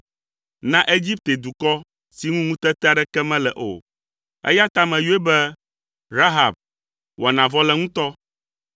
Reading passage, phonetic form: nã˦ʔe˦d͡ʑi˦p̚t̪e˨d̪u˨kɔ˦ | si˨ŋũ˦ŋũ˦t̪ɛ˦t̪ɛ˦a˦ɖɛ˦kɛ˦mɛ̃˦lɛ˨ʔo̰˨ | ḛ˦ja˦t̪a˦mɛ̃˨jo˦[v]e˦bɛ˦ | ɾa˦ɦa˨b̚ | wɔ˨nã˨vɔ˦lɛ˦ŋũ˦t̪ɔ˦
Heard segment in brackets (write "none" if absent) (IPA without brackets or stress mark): none